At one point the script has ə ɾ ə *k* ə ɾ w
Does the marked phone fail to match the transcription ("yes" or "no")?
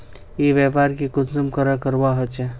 no